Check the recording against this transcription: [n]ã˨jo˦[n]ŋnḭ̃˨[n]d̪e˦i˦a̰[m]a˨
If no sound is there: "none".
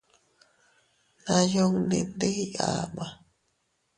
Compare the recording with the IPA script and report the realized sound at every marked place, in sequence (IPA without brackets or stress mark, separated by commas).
n, none, n, m